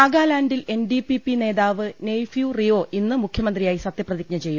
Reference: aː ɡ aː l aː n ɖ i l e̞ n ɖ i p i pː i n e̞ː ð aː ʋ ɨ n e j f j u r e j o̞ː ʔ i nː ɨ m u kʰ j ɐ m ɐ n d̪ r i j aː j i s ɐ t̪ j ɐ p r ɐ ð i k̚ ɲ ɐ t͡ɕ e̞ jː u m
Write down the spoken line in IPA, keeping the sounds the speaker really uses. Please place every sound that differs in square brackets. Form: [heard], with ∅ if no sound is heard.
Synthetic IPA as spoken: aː ɡ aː l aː n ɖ i l e̞ n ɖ i p i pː i n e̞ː ð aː ʋ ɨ n e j f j u r [i] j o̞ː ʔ i nː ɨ m u kʰ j ɐ m ɐ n d̪ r i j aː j i s ɐ t̪ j ɐ p r ɐ ð i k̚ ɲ ɐ t͡ɕ e̞ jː u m